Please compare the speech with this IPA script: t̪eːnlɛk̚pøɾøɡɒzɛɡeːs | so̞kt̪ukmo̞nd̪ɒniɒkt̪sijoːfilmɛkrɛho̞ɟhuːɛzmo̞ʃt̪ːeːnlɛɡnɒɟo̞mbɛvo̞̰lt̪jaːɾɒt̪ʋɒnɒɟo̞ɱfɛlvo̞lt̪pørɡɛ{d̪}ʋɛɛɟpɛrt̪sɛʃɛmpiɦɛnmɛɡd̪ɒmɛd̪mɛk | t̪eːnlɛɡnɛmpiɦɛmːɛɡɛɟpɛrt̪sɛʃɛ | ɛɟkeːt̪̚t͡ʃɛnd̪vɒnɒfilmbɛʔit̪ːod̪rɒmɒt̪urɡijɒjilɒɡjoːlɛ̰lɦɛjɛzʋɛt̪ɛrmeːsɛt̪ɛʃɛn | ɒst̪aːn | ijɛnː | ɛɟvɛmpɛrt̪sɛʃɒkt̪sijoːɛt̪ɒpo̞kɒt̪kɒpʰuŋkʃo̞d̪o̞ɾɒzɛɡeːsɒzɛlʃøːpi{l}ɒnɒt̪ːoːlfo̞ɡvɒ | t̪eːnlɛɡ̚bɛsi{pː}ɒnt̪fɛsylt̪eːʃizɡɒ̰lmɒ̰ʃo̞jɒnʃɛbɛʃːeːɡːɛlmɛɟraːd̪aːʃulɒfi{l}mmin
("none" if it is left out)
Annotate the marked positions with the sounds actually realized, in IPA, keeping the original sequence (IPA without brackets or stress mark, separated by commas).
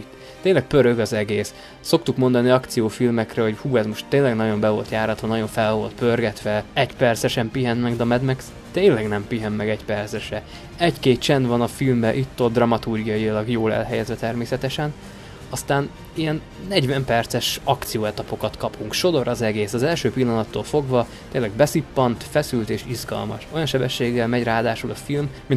t̪, lː, pː, l